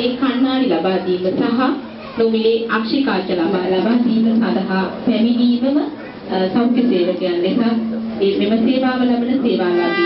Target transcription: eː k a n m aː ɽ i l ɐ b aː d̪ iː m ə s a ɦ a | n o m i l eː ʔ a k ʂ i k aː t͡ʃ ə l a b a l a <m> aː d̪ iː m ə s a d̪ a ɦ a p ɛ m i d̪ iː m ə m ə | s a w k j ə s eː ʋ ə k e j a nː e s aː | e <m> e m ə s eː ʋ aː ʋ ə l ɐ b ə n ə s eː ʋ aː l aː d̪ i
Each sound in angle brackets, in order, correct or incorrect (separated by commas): incorrect, correct